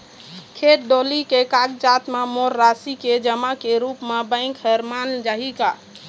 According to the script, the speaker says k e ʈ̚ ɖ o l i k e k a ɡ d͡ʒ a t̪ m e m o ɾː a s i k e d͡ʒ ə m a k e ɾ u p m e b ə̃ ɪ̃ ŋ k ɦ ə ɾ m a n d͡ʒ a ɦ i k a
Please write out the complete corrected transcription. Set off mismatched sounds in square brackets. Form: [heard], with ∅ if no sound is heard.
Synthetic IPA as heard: [kʰ] e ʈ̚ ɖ o l i k e k a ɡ d͡ʒ a t̪ m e m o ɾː a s i k e d͡ʒ ə m a k e ɾ u p m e b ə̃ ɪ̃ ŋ k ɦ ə ɾ m a n d͡ʒ a ɦ i k a